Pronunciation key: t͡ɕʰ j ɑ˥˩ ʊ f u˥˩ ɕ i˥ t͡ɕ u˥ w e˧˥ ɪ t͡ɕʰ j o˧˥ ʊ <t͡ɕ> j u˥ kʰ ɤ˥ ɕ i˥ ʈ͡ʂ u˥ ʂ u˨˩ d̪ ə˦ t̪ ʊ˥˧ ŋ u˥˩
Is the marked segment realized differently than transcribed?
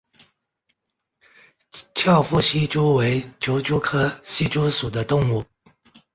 no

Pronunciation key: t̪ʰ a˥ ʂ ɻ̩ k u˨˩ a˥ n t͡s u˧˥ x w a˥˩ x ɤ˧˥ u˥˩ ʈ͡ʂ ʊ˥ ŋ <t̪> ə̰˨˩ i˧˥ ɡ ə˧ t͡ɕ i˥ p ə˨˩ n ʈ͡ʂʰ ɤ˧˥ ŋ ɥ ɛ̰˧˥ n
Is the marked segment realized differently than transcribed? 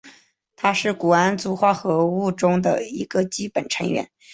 yes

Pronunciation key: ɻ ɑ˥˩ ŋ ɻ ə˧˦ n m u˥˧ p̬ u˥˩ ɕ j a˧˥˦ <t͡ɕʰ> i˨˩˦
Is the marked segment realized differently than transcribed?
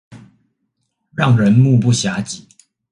yes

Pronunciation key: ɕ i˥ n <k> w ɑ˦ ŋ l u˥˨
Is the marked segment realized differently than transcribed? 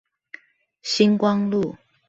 no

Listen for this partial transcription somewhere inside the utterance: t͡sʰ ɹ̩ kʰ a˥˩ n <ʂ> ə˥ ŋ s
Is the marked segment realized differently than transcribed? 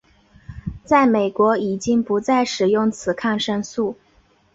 no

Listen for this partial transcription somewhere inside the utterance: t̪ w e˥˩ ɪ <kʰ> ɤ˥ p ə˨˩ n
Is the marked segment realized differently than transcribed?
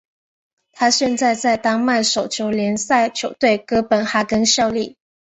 yes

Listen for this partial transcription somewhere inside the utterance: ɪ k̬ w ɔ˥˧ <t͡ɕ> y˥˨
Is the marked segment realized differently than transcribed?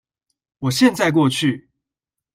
yes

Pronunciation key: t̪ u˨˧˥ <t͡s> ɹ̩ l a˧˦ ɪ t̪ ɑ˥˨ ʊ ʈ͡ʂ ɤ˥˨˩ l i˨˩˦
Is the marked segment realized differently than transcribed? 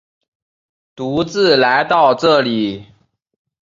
no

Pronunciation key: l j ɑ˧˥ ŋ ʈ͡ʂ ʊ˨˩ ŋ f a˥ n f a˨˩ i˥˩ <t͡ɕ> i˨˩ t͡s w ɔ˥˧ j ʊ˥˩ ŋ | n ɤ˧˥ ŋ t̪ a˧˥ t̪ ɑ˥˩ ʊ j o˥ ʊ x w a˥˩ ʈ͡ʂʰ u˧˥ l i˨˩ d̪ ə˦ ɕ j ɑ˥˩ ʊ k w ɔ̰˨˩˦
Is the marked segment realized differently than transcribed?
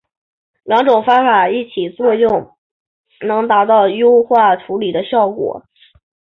yes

